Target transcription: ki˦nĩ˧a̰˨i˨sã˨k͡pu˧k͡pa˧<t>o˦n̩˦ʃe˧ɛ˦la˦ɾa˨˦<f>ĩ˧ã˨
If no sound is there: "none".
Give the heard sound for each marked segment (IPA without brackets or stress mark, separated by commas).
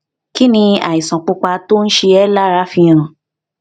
t, f